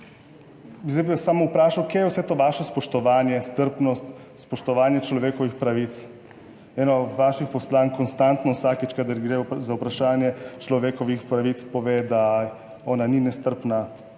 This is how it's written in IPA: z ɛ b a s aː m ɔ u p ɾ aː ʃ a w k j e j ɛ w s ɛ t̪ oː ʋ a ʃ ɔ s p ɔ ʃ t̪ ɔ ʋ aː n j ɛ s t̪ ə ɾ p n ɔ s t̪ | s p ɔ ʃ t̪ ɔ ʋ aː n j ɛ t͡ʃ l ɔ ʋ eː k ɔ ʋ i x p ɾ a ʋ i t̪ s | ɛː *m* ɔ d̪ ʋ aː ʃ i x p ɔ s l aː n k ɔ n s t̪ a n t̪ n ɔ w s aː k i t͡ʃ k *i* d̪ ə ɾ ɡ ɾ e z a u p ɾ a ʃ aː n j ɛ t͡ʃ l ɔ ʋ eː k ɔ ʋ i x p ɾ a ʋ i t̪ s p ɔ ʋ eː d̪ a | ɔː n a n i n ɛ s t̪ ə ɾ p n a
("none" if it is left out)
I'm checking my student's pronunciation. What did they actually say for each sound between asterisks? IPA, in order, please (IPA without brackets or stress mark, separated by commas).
n, a